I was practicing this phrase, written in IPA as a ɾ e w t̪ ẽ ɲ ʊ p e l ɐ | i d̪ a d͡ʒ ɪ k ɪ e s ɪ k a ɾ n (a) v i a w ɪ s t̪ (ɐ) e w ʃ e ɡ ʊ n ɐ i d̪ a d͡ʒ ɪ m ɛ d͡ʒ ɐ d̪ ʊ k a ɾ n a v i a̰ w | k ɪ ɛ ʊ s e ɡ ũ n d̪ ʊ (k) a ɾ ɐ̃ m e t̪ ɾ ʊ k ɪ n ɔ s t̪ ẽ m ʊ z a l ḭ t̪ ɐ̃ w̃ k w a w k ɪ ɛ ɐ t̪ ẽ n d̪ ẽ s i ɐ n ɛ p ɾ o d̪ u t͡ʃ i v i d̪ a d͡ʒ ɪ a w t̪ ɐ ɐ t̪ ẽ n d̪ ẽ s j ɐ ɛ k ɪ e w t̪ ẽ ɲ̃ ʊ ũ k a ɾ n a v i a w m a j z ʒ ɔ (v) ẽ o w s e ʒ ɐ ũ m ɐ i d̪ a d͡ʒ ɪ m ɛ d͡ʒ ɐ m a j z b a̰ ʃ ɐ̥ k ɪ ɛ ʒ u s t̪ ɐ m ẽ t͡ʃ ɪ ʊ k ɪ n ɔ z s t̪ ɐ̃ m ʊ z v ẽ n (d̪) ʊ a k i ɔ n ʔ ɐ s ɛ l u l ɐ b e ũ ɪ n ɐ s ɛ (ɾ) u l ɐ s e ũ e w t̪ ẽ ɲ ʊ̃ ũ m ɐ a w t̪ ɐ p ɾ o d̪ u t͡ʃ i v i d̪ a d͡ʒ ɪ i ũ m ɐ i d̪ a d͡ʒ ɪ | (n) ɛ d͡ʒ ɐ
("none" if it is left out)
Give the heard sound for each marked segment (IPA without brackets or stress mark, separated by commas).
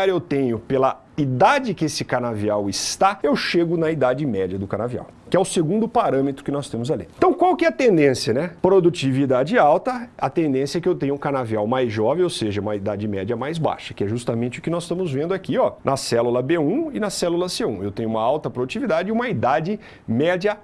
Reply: a, a, p, v, d̪, l, m